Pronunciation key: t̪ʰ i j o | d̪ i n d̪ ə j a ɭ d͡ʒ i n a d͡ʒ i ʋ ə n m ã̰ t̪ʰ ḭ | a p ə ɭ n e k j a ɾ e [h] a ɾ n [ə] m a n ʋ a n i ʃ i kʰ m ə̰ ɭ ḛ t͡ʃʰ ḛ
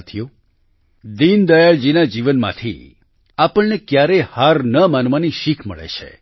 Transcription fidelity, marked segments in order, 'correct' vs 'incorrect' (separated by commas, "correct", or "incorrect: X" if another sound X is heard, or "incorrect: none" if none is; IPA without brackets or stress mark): correct, correct